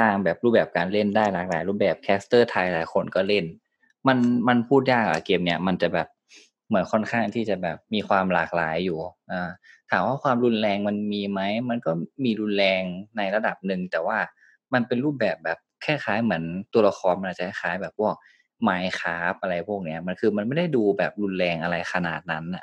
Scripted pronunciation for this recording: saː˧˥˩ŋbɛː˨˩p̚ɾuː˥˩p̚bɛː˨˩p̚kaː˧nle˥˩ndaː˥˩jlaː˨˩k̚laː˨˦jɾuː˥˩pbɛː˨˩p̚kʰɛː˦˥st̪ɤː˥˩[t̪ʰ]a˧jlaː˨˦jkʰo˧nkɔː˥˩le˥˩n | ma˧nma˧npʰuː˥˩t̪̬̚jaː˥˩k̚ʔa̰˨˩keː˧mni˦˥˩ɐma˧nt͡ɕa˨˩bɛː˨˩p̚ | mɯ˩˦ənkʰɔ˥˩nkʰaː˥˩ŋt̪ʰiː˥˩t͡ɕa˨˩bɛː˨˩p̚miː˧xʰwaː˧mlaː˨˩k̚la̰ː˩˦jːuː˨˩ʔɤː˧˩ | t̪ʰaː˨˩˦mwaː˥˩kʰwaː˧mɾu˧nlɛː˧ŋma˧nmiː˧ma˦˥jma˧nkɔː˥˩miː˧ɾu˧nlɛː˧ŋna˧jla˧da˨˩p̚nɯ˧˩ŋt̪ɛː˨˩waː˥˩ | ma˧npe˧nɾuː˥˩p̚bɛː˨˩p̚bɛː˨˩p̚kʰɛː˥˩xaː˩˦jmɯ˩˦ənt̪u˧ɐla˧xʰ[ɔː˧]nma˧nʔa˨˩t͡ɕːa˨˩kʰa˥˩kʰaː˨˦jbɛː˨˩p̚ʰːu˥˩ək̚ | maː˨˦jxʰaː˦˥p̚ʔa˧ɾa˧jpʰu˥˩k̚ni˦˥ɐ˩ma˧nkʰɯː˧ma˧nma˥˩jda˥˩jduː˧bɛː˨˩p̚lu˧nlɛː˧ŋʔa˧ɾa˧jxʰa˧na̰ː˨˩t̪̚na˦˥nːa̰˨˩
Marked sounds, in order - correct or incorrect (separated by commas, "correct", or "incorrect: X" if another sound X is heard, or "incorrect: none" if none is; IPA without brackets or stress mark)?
correct, correct